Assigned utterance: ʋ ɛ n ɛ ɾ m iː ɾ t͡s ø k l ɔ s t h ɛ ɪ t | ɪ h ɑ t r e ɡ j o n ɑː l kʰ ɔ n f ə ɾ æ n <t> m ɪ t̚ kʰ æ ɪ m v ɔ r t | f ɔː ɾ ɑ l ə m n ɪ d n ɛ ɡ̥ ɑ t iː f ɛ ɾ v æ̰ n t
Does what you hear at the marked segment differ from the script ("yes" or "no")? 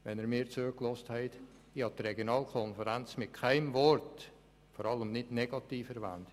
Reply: yes